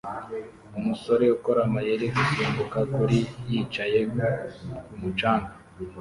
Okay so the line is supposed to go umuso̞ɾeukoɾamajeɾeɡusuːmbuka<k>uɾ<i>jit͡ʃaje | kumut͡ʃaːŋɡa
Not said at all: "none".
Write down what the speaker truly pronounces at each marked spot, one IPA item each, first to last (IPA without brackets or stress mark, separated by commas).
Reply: k, i